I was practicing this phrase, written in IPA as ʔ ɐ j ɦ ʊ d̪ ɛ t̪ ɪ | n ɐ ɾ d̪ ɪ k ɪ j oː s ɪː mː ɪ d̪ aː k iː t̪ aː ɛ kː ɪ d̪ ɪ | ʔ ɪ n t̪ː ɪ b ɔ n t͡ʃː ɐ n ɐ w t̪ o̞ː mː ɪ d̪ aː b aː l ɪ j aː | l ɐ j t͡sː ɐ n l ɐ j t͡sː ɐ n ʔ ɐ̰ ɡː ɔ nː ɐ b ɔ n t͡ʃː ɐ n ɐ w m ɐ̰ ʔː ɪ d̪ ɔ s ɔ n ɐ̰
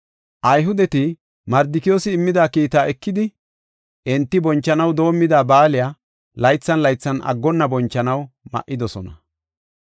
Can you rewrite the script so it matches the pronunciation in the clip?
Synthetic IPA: ʔ ɐ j ɦ ʊ d̪ ɛ t̪ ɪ | m ɐ ɾ d̪ ɪ k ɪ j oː s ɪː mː ɪ d̪ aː k iː t̪ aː ɛ kː ɪ d̪ ɪ | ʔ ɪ n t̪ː ɪ b ɔ n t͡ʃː ɐ n ɐ w d̪ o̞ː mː ɪ d̪ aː b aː l ɪ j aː | l ɐ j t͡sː ɐ n l ɐ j t͡sː ɐ n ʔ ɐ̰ ɡː ɔ nː ɐ b ɔ n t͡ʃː ɐ n ɐ w m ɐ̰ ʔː ɪ d̪ ɔ s ɔ n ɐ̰